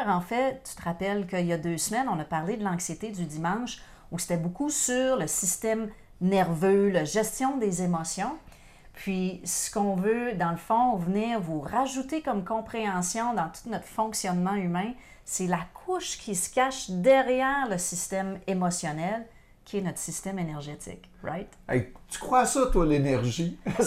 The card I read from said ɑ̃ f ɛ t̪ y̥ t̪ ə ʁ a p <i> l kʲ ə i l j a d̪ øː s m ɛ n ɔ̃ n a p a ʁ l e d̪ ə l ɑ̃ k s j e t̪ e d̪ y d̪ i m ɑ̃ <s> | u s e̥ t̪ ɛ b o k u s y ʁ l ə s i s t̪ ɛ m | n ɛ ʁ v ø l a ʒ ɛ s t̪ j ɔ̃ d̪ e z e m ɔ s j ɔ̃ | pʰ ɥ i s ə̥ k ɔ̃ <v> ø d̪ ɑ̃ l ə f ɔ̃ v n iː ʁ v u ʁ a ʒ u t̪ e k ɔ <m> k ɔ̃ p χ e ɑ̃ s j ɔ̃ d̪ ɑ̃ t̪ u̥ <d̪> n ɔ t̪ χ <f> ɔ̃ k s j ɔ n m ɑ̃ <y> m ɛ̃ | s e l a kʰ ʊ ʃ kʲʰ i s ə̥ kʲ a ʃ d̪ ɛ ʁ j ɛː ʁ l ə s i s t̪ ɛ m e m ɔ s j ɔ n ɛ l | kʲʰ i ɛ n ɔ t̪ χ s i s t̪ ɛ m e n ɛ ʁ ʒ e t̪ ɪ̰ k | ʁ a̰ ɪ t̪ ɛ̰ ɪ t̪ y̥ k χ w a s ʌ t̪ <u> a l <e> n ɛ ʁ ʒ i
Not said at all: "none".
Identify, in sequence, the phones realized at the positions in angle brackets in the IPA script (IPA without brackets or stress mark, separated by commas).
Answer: ɛ, ʃ, v, m, t̪, f, y, w, e